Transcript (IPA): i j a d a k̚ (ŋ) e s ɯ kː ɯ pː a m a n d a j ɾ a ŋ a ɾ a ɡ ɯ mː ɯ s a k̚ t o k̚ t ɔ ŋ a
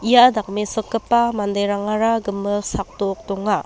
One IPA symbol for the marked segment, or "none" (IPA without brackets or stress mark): m